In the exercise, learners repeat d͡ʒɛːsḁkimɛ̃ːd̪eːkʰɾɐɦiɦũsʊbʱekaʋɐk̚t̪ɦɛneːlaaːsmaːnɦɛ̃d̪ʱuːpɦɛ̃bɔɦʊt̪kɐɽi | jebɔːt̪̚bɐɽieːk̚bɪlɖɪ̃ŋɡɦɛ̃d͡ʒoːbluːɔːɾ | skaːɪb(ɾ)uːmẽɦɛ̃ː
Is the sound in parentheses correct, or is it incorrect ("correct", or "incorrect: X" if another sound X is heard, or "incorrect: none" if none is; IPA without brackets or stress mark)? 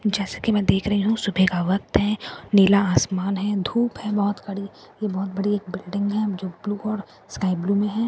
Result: incorrect: l